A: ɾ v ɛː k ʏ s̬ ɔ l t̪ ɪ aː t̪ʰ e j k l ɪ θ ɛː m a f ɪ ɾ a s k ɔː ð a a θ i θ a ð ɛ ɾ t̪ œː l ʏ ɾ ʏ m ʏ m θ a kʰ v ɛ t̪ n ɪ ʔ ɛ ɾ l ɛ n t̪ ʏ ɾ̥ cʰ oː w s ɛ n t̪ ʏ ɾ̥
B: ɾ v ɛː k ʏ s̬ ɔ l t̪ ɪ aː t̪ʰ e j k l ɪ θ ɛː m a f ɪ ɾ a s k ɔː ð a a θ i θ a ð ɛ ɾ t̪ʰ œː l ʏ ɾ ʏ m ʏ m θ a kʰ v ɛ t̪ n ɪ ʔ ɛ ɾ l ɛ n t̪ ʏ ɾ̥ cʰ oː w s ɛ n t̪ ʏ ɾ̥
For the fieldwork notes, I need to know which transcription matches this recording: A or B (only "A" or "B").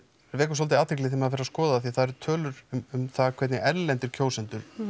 B